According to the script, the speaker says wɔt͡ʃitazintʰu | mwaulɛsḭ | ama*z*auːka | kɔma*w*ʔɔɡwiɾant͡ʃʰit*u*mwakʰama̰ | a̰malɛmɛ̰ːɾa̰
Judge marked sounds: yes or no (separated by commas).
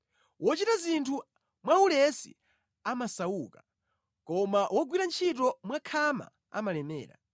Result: no, yes, no